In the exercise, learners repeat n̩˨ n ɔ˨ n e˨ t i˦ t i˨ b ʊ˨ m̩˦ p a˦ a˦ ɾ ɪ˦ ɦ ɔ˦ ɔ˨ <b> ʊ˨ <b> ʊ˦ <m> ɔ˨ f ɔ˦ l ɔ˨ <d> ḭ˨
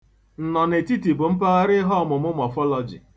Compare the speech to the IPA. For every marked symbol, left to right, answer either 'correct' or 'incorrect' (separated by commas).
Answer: incorrect, incorrect, correct, incorrect